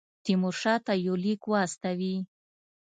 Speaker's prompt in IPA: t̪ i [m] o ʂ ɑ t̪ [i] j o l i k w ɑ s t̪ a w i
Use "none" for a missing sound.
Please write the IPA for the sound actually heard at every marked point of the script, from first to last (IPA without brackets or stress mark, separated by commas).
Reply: m, a